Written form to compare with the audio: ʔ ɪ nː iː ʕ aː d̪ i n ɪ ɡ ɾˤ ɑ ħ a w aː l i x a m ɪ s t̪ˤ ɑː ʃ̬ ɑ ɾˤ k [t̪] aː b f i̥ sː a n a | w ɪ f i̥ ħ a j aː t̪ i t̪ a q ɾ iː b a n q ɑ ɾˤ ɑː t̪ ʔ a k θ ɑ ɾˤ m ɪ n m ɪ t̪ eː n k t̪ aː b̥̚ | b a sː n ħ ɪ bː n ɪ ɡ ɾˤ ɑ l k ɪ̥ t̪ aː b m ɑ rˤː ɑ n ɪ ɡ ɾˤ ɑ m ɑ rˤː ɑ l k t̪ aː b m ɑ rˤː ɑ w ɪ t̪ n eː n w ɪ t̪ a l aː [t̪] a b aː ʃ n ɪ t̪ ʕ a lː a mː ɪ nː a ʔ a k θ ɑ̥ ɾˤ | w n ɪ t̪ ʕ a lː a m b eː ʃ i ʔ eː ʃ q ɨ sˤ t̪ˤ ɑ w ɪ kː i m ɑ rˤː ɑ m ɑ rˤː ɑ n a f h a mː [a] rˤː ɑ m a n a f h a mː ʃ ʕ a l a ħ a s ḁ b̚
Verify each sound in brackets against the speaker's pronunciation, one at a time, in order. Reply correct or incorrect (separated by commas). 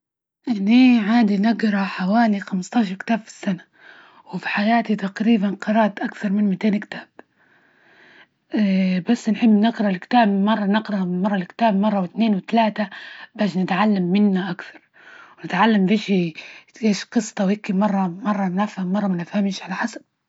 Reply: correct, correct, incorrect